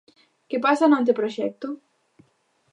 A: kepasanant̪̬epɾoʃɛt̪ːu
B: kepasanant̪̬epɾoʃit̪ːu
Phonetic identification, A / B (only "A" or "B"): A